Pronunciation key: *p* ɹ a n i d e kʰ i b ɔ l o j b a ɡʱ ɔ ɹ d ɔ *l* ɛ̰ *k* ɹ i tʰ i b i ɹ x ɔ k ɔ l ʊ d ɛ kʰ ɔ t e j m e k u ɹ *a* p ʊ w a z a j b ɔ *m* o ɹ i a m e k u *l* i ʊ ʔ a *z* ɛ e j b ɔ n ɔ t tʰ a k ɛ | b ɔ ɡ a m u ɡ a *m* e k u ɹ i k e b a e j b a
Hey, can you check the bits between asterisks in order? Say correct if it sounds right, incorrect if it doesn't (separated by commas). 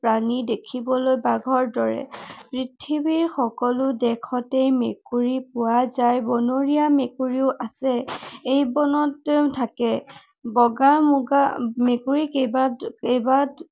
correct, incorrect, incorrect, incorrect, incorrect, incorrect, incorrect, correct